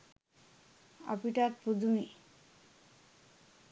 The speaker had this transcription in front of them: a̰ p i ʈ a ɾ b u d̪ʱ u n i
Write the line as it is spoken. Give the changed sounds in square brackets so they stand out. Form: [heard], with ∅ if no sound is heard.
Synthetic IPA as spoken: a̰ p i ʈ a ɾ [p] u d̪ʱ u [m] i

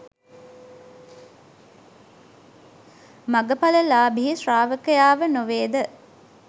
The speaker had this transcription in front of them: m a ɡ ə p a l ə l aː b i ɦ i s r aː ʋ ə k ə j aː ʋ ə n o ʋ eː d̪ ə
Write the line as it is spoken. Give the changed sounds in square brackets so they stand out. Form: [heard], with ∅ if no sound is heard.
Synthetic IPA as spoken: m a ɡ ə p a l ə l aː b i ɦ i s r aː ʋ ə k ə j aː ʋ ə n o ʋ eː d̪ ə

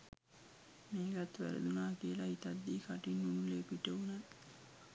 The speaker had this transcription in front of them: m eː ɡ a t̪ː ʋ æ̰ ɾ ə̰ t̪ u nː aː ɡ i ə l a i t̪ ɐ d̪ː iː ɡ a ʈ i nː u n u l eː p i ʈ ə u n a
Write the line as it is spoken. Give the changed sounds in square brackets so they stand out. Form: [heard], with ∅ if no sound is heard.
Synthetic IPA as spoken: m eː ɡ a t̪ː ʋ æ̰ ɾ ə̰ [d̪] u [n] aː [k] i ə l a i t̪ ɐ d̪ː iː [k] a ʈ i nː u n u l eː p i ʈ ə u n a

